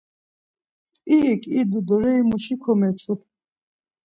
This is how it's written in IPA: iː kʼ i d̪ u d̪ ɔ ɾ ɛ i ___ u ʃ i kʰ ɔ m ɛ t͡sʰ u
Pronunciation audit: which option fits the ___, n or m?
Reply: m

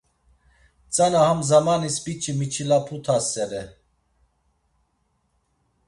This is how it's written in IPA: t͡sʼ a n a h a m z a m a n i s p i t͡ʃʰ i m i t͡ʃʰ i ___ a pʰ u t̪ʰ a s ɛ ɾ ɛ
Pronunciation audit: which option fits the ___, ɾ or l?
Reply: l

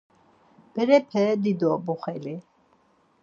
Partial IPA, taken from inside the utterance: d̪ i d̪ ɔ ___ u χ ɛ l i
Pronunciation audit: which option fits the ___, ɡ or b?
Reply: b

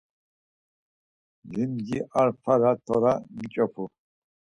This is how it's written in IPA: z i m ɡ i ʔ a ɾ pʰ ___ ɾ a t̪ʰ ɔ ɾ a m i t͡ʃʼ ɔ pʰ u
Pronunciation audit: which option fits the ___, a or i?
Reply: a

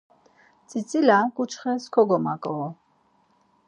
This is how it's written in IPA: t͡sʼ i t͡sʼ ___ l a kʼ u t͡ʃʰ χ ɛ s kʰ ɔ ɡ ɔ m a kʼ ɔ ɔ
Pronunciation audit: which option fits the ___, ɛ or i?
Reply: i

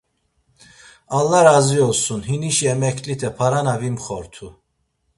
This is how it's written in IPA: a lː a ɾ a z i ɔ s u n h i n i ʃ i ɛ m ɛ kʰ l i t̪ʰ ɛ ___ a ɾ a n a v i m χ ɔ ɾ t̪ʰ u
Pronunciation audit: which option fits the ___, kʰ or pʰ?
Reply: pʰ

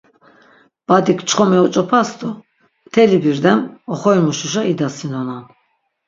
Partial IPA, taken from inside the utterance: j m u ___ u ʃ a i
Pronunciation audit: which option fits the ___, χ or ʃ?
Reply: ʃ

